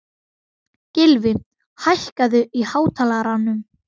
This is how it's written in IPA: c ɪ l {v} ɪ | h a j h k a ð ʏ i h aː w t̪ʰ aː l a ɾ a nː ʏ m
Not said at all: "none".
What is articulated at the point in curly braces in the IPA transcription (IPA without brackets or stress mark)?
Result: v